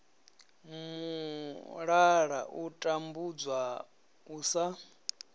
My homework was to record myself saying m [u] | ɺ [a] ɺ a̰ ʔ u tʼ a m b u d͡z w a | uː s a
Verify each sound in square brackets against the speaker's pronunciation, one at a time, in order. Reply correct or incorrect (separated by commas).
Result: correct, correct